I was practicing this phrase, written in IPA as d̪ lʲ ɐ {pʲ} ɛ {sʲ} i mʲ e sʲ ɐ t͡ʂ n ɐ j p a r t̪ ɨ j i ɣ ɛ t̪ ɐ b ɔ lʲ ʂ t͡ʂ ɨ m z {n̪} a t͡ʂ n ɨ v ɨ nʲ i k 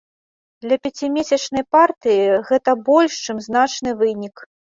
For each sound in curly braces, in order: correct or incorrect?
correct, incorrect: t͡sʲ, correct

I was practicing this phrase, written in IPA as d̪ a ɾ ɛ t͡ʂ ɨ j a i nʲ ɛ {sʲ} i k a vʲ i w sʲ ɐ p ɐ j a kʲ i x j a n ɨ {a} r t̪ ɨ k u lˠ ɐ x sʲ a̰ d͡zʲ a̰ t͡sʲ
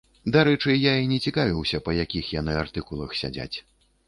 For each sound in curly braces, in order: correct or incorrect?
incorrect: t͡sʲ, correct

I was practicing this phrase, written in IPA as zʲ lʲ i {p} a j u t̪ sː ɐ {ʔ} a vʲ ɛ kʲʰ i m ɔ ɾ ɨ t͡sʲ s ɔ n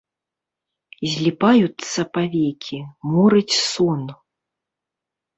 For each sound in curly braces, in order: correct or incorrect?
correct, incorrect: p

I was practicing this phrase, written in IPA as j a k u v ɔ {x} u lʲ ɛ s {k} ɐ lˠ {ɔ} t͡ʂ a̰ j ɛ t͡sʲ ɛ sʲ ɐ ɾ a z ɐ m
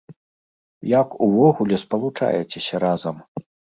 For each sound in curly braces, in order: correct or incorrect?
incorrect: ɣ, incorrect: p, incorrect: u

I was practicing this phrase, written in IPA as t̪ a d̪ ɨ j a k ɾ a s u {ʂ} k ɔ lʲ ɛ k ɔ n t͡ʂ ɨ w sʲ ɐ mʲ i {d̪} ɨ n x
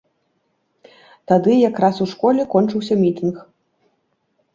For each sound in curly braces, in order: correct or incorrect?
correct, incorrect: t̪

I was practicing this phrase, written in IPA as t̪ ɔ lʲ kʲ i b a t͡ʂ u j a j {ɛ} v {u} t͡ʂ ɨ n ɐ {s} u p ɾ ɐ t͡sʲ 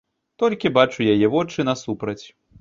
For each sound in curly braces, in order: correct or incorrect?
correct, incorrect: ɔ, correct

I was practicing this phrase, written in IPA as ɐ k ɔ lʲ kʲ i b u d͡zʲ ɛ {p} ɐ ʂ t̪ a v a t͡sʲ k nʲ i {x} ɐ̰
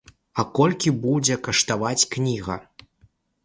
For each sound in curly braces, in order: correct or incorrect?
incorrect: k, incorrect: ɣ

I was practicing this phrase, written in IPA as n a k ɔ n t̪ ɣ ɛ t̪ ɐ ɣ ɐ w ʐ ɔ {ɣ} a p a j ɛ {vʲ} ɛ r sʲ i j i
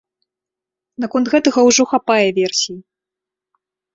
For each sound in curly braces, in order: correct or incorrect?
incorrect: x, correct

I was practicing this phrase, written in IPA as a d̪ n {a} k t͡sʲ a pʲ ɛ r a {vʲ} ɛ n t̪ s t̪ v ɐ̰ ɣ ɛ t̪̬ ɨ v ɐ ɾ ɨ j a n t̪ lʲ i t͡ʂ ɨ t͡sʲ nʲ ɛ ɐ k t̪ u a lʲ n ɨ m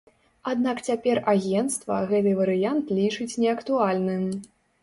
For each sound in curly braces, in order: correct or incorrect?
correct, incorrect: ɣʲ

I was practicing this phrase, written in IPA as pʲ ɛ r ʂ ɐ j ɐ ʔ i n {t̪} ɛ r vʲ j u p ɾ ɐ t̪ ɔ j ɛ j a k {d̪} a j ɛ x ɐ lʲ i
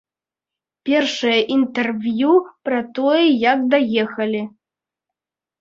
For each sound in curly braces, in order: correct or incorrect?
correct, correct

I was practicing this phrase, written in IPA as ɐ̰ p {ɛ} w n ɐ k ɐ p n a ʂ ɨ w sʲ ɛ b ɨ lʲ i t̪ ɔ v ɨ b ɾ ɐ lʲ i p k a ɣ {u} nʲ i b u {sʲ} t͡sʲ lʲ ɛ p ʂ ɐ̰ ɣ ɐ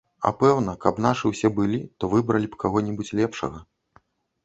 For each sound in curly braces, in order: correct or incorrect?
correct, incorrect: ɔ, incorrect: none

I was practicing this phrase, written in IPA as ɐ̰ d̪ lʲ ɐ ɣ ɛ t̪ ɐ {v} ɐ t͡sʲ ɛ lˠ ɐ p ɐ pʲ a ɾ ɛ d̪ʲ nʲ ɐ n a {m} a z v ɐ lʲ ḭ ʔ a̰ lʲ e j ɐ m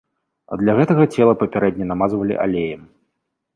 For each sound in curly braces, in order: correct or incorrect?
incorrect: ɣ, correct

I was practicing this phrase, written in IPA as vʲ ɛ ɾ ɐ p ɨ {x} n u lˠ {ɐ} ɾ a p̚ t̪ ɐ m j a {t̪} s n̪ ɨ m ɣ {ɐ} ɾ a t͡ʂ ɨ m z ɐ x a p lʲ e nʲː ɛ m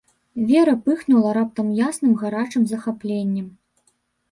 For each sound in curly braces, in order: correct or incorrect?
correct, correct, incorrect: none, incorrect: a

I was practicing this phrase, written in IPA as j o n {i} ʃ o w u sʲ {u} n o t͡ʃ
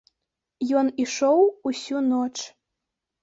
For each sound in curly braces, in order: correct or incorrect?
correct, correct

